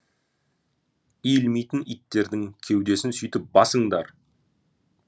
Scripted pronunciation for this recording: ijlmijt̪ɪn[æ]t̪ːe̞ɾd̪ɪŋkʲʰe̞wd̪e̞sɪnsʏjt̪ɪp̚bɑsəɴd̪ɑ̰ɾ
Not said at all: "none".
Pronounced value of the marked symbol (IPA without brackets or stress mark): i